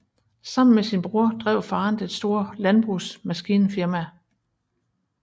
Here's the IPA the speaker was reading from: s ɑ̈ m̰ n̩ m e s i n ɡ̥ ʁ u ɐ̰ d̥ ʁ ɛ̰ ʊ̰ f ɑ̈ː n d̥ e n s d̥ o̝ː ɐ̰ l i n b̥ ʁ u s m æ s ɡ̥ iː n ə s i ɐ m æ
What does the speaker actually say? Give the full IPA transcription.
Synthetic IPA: s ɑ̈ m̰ n̩ m e s i n b̥ ʁ u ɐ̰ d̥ ʁ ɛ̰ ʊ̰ f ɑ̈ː n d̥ e n s d̥ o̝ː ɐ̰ l æ n b̥ ʁ u s m æ s ɡ̥ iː n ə f i ɐ m æ

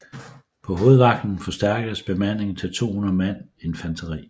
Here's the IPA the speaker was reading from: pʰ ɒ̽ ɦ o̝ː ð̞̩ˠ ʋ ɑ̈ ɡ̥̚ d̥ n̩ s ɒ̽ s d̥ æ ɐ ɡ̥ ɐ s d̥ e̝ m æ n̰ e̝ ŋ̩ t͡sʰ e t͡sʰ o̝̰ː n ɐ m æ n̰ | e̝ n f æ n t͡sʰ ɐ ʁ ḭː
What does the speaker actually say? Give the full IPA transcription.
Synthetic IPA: pʰ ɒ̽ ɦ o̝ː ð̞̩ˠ ʋ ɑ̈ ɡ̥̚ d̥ n̩ f ɒ̽ s d̥ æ ɐ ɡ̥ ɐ s b̥ e̝ m æ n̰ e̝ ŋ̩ t͡sʰ e t͡sʰ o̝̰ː n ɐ m æ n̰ | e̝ n f æ n t͡sʰ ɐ ʁ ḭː

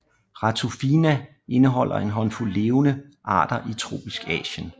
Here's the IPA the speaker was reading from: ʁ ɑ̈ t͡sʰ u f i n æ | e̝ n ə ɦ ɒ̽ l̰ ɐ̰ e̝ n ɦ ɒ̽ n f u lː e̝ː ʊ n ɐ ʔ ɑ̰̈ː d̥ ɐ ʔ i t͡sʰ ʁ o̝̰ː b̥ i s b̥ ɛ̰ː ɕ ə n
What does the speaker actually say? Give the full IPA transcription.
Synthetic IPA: ʁ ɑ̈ t͡sʰ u f i n æ | e̝ n ə ɦ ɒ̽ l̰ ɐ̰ e̝ n ɦ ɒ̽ n f u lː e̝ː ʊ n ə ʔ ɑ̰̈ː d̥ ɐ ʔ i t͡sʰ ʁ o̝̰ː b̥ i s ɡ̥ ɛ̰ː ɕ ə n

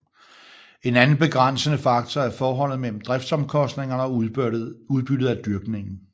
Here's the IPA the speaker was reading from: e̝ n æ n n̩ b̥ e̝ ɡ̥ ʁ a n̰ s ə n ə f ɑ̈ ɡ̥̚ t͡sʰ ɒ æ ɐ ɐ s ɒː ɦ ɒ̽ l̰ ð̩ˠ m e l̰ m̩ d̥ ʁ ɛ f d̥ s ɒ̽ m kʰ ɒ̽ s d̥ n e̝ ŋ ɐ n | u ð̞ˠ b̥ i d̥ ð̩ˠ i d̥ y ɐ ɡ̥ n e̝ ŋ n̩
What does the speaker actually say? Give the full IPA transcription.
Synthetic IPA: e̝ n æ n n̩ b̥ e̝ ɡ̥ ʁ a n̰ s ə n ə f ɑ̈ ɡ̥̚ t͡sʰ ɒ æ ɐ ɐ f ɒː ɦ ɒ̽ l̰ ð̩ˠ m e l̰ m̩ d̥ ʁ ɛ f d̥ s ɒ̽ m kʰ ɒ̽ s d̥ n e̝ ŋ ɐ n | u ð̞ˠ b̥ y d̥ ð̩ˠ æ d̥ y ɐ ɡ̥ n e̝ ŋ n̩

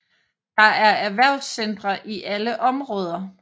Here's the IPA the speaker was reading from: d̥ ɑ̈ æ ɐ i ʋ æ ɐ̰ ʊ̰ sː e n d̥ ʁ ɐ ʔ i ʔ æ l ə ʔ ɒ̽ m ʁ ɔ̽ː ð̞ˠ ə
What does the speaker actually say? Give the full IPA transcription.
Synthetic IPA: d̥ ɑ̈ æ ɐ æ ʋ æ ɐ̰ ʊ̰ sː e n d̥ ʁ ɐ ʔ i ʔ æ l ə ʔ ɒ̽ m ʁ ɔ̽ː ð̞ˠ ɐ

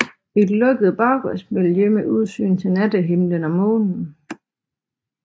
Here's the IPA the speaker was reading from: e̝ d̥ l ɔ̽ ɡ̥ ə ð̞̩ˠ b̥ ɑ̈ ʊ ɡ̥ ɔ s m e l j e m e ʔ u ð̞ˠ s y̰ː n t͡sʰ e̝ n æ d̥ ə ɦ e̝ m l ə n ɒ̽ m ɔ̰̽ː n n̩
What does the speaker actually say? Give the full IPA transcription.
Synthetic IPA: e̝ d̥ l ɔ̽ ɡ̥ ə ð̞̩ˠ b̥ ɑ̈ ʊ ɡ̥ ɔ s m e l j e m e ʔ u ð̞ˠ s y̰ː n t͡sʰ e̝ n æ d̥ ə ɦ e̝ m l ə n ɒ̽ m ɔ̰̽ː n n̩

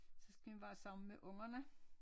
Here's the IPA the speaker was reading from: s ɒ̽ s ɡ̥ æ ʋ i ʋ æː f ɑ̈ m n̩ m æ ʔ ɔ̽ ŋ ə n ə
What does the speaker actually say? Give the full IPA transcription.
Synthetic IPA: s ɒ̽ s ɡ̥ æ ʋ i ʋ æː s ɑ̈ m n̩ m e ʔ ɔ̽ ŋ ɐ n ə

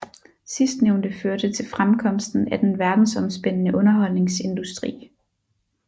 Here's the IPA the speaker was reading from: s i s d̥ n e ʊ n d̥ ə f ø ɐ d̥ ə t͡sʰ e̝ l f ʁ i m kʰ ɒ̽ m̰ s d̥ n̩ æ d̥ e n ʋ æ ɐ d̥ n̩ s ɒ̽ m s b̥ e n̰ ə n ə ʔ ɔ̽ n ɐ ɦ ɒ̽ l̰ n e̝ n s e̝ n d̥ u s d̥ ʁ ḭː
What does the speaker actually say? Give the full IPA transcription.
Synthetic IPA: s i s d̥ n e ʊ n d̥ ə f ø ɐ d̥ ə t͡sʰ e̝ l f ʁ a m kʰ ɒ̽ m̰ s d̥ n̩ æ d̥ e n ʋ æ ɐ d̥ n̩ s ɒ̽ m s b̥ e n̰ ə n ə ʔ ɔ̽ n ɐ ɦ ɒ̽ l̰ n e̝ ŋ s e̝ n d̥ u s d̥ ʁ ḭː

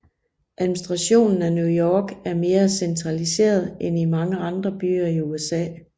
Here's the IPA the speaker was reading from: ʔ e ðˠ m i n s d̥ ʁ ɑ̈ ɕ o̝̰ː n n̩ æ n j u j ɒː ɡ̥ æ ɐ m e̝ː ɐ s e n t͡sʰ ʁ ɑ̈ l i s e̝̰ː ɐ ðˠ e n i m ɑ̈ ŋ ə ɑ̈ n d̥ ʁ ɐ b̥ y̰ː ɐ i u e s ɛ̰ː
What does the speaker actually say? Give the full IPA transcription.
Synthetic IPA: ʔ æ ðˠ m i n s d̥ ʁ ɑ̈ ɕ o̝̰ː n n̩ æ n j u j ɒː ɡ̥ æ ɐ m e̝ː ɐ s e n t͡sʰ ʁ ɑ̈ l i s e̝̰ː ɐ ðˠ e n i m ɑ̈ ŋ ə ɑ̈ n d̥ ʁ ɐ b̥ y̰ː ɐ i u e s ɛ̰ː

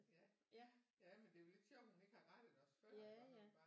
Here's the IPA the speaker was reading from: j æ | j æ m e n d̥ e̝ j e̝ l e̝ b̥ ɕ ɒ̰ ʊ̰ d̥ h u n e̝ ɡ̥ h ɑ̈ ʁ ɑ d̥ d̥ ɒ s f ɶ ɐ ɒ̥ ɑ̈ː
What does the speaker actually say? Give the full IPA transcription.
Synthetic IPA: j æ | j æ m e n d̥ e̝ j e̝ l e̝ d̥ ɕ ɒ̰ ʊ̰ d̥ h u n e̝ ɡ̥ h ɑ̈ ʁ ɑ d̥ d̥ ɒ s f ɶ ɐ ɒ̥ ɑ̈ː

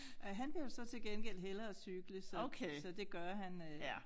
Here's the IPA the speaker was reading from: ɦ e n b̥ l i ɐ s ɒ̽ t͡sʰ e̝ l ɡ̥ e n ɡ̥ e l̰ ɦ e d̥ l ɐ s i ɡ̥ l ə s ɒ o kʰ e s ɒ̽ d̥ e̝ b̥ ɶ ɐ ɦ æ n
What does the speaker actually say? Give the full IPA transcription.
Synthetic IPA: ɦ æ n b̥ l i ɐ s ɒ̽ t͡sʰ e̝ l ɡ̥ e n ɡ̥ e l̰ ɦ e l ɐ s y ɡ̥ l ə s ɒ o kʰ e s ɒ̽ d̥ e̝ ɡ̥ ɶ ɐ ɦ æ n

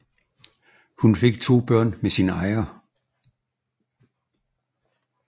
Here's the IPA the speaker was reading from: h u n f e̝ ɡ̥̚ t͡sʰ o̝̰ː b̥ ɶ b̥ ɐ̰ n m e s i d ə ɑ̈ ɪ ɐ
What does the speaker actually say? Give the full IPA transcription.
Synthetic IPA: h u n f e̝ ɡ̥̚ t͡sʰ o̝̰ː b̥ ɶ ɐ̰ n m e s i n ə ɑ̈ ɪ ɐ

